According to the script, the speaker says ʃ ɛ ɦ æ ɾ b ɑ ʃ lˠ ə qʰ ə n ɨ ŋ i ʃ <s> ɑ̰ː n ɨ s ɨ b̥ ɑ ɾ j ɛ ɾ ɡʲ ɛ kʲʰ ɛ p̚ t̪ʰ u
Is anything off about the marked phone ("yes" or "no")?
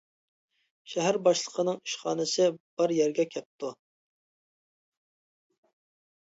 yes